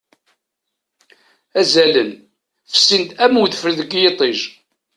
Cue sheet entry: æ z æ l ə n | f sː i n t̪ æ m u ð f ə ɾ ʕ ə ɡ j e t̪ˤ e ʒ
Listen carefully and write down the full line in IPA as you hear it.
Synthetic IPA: æ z æ l ə n | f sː i n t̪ æ m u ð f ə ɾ ð ə ɡ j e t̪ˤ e ʒ